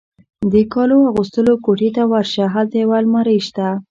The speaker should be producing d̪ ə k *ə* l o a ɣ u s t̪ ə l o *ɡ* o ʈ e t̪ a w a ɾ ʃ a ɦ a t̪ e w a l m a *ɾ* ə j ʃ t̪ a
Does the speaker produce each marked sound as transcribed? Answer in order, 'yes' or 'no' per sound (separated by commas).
no, no, yes